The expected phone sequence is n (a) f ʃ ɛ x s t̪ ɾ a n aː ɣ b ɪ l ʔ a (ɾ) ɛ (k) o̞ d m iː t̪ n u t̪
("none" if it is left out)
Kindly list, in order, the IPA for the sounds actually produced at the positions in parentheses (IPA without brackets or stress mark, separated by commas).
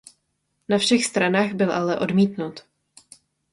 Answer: a, l, ʔ